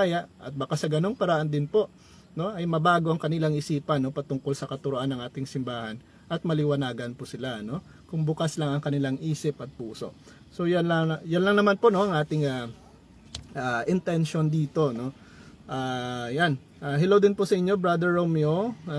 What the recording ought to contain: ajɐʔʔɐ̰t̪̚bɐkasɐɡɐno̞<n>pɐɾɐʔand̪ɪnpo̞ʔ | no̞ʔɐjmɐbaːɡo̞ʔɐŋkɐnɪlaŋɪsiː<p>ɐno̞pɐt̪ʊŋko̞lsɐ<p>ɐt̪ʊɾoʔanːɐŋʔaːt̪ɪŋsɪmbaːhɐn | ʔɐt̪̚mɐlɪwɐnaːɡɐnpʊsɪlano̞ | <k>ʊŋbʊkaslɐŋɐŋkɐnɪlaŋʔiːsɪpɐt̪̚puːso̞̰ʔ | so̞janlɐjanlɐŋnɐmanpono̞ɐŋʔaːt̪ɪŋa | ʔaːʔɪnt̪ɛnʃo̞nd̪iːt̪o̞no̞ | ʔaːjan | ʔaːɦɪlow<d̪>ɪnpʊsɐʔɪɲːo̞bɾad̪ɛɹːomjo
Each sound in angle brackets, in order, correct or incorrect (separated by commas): incorrect, correct, incorrect, correct, correct